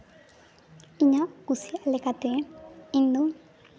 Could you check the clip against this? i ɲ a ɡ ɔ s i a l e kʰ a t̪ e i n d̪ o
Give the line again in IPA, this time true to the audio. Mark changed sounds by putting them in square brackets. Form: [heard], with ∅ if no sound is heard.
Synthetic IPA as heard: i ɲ a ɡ [u] s i a l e [k] a t̪ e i n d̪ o